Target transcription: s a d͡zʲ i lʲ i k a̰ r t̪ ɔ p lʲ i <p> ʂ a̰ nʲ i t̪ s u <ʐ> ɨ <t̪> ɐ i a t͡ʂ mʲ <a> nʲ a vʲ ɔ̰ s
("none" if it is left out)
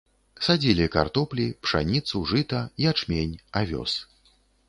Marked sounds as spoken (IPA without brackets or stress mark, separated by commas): p, ʐ, t̪, e